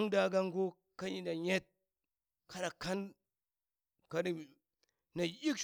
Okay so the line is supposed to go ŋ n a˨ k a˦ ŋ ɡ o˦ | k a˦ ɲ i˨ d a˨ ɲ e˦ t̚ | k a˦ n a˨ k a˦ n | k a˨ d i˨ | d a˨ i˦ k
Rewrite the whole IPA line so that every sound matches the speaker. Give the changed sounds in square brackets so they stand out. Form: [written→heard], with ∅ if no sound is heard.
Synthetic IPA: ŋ [n→d] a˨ [k→ɡ] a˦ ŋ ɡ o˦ | k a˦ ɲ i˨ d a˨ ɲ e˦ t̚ | k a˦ n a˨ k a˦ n | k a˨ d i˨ | [d→n] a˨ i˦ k